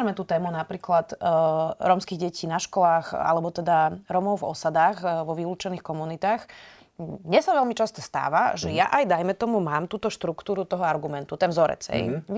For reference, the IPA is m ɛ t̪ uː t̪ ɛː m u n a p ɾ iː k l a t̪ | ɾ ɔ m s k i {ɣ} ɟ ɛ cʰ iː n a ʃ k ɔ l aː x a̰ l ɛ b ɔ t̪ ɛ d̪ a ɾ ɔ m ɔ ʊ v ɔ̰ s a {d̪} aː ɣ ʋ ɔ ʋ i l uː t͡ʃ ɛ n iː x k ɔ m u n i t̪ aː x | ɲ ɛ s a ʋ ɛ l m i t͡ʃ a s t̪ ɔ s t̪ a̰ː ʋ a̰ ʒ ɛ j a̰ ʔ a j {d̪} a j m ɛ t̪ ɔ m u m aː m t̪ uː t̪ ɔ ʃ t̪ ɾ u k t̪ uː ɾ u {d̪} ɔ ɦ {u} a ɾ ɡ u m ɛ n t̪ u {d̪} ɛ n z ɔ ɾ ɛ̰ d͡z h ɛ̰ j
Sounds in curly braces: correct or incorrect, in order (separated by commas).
correct, correct, correct, incorrect, incorrect, incorrect